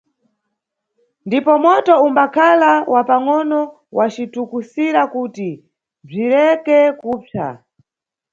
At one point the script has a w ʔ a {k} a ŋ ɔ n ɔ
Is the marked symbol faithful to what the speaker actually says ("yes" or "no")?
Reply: no